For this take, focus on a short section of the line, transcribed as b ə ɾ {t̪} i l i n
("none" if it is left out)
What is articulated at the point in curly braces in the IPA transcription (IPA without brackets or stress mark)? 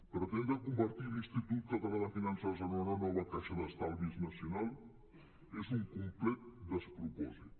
t̪